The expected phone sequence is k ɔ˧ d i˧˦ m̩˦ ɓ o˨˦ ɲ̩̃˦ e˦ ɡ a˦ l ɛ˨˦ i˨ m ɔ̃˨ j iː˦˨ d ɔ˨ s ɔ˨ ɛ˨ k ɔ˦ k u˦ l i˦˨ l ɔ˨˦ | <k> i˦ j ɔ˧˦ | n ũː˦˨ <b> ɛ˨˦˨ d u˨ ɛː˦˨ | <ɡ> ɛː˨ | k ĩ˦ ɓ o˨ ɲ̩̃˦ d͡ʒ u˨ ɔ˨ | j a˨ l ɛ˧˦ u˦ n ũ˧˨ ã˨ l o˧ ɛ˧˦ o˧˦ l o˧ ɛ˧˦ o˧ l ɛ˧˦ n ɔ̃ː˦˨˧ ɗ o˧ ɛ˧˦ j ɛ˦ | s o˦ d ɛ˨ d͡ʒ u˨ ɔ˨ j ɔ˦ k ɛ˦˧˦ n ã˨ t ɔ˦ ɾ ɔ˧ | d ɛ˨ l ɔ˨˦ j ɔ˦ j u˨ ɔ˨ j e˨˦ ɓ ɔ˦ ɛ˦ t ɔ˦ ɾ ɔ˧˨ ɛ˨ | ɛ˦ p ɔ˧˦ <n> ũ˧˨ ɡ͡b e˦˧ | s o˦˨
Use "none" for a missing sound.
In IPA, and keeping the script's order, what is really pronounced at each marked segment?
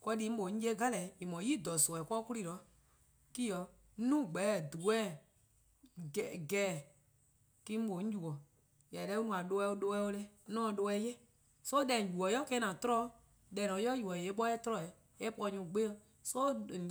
k, ɡ͡b, ɡ, ɲ

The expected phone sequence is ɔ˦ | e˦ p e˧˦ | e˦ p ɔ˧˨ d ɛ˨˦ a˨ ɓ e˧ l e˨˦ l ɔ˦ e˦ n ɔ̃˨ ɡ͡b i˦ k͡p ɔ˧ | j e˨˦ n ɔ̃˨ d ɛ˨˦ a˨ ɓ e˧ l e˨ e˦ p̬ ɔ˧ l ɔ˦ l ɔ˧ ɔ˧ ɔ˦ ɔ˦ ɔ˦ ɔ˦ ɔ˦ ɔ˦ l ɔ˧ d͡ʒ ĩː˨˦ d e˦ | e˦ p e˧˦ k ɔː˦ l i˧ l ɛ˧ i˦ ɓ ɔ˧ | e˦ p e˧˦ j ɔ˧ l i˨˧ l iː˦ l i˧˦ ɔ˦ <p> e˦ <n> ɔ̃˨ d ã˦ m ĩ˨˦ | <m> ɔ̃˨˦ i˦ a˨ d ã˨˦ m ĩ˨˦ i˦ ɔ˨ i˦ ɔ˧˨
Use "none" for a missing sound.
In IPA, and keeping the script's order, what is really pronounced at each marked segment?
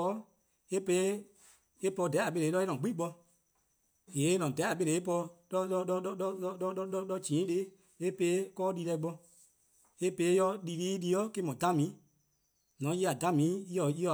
k, m, n

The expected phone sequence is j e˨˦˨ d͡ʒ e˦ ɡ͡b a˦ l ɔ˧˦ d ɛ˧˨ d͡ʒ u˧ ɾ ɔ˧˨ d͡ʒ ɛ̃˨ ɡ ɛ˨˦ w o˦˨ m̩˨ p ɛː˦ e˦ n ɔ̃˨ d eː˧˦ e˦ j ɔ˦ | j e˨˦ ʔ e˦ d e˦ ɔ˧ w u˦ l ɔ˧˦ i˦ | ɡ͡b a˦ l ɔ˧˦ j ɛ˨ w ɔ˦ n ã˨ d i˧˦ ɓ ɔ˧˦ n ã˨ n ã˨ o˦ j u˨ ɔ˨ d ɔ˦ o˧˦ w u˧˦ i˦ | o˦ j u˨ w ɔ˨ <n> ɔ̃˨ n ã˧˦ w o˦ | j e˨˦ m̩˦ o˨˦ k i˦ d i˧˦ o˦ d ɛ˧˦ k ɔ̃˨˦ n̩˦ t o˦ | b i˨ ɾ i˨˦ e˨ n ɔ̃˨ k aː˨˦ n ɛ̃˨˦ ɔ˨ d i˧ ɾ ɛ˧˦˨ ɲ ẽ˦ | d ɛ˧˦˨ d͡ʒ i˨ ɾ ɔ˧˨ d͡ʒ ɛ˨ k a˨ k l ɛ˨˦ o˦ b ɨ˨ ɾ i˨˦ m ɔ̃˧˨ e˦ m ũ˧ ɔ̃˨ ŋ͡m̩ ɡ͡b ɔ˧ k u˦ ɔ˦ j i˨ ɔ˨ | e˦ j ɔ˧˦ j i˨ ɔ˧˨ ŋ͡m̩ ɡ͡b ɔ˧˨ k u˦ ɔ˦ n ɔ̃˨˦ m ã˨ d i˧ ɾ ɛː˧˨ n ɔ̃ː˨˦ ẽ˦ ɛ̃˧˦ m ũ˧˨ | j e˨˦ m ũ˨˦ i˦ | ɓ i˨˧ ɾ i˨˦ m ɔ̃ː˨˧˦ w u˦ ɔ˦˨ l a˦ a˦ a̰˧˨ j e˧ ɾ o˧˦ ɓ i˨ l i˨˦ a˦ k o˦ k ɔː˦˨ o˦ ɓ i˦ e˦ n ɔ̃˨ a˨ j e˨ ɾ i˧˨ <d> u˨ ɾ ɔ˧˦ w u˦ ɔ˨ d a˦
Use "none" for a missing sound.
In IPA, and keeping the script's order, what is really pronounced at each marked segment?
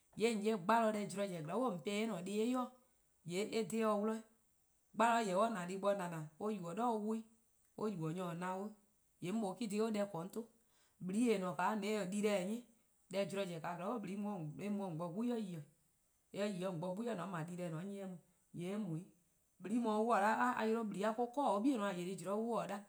ɲ, d͡ʒ

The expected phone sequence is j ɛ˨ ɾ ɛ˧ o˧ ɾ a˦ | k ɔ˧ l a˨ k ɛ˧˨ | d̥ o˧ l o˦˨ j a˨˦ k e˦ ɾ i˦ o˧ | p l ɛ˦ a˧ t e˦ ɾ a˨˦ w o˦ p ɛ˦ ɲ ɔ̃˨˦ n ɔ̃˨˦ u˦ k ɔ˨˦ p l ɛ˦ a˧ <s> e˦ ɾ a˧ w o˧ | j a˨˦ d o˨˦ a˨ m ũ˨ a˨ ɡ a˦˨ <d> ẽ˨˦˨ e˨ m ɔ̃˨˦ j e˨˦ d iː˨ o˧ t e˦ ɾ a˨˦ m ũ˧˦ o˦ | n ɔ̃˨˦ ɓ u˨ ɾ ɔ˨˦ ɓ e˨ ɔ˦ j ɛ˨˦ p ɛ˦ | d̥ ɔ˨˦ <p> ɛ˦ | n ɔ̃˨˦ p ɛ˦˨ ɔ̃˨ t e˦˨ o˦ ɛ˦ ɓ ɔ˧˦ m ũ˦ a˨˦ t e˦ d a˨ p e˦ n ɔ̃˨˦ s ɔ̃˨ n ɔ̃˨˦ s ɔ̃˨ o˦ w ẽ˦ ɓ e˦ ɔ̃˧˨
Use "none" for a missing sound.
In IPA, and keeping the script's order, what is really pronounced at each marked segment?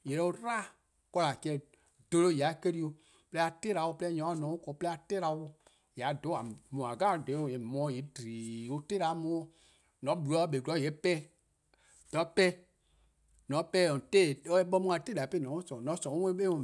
t, d, p

